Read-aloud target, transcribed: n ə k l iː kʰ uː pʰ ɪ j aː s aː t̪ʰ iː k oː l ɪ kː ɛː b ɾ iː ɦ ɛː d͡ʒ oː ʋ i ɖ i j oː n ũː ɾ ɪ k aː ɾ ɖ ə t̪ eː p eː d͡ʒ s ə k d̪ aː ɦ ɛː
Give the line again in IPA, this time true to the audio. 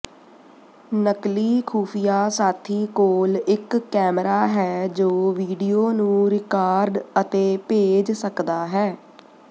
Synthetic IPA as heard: n ə k l iː kʰ uː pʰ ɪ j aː s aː t̪ʰ iː k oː l ɪ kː ɛː m ɾ aː ɦ ɛː d͡ʒ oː ʋ iː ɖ i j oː n ũː ɾ ɪ k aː ɾ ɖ ə t̪ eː p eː d͡ʒ s ə k d̪ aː ɦ ɛː

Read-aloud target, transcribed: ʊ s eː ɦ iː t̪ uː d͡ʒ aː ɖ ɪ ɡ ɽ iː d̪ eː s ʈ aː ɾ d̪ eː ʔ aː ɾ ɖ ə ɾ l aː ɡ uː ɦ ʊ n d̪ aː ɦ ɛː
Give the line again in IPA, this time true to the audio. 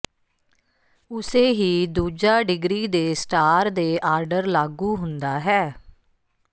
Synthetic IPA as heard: ʊ s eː ɦ iː d̪ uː d͡ʒ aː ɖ ɪ ɡ ɾ iː d̪ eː s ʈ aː ɾ d̪ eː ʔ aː ɾ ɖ ə ɾ l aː ɡ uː ɦ ʊ n d̪ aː ɦ ɛː

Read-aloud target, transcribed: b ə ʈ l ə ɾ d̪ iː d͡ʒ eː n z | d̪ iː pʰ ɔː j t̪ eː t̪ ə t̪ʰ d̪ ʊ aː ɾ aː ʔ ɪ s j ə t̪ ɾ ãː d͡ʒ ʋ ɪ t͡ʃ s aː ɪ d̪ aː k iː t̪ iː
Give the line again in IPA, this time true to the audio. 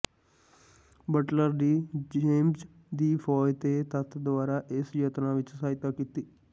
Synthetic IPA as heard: b ə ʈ l ə ɾ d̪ iː d͡ʒ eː m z | d̪ iː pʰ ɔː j t̪ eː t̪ ə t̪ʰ d̪ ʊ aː ɾ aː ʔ ɪ s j ə t̪ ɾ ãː ʋ ɪ t͡ʃ s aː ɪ t̪ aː k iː t̪ iː

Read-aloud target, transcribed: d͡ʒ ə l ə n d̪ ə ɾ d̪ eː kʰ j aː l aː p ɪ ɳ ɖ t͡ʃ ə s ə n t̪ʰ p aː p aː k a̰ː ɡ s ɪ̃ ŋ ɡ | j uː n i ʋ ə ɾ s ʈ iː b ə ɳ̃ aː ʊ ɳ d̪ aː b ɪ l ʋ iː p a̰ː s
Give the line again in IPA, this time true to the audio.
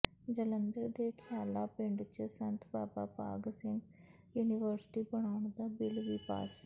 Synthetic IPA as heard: d͡ʒ ə l ə n d̪ ə ɾ d̪ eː kʰ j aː l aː p ɪ ɳ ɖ t͡ʃ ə s ə n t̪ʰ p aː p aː p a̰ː ɡ s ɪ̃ ŋ ɡ | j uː n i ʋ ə ɾ s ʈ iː b ə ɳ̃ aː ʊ ɳ d̪ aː b ɪ l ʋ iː p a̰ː s

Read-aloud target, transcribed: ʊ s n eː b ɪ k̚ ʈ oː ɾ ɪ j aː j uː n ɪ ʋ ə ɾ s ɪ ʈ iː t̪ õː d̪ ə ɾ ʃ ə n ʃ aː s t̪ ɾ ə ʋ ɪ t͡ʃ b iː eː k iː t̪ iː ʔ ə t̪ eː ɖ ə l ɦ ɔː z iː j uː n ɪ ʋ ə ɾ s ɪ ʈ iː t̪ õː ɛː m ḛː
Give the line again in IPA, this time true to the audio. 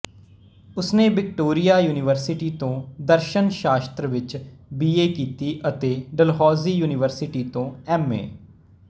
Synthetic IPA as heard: ʊ s n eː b ɪ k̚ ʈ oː ɾ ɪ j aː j uː n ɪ ʋ ə ɾ s ɪ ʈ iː t̪ õː d̪ ə ɾ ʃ ə n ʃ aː s t̪ ɾ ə ʋ ɪ t͡ʃ b iː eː k iː t̪ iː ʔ ə t̪ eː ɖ ə l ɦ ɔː z iː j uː n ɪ ʋ ə ɾ s ɪ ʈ iː t̪ õː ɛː m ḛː

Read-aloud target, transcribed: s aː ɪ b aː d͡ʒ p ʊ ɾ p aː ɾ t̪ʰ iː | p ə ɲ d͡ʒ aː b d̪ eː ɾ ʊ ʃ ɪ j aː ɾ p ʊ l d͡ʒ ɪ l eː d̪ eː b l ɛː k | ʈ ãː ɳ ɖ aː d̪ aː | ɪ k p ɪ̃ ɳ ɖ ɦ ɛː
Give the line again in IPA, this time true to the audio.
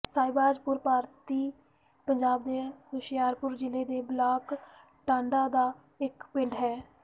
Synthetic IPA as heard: s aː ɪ b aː d͡ʒ p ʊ ɾ p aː ɾ t̪ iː | p ə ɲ d͡ʒ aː b d̪ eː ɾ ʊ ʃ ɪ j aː ɾ p ʊ ɾ d͡ʒ ɪ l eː d̪ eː b l aː k | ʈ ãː ɳ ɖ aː d̪ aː | ɪ k p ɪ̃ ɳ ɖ ɦ ɛː

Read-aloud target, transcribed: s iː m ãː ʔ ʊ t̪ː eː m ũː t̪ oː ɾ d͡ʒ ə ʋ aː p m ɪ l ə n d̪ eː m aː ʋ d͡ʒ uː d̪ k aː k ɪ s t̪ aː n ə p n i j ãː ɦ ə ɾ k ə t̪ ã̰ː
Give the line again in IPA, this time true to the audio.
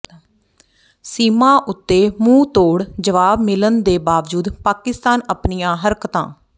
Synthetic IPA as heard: s iː m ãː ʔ ʊ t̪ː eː m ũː t̪ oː ɽ d͡ʒ ə ʋ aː b m ɪ l ə n d̪ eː b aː ʋ d͡ʒ uː d̪ p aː k ɪ s t̪ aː n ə p n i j ãː ɦ ə ɾ k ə t̪ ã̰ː

